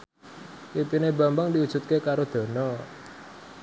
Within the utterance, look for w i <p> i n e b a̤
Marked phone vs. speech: correct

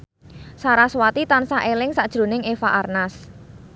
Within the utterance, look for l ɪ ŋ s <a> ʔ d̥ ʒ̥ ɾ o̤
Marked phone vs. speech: correct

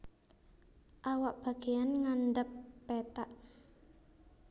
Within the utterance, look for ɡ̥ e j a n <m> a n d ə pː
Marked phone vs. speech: incorrect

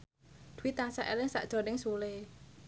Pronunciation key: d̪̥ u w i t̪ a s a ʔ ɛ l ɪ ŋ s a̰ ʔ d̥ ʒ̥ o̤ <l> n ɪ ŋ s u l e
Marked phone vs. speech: incorrect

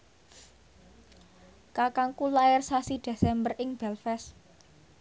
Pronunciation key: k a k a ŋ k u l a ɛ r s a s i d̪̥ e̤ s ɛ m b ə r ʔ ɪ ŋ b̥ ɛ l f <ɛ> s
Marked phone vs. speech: correct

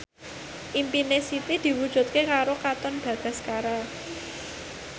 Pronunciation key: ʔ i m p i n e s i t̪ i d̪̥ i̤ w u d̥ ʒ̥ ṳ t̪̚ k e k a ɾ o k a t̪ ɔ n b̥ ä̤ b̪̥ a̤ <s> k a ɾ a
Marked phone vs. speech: correct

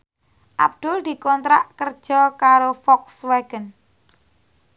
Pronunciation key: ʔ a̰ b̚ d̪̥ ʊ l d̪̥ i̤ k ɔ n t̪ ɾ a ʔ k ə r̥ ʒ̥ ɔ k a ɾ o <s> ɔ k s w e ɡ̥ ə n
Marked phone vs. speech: incorrect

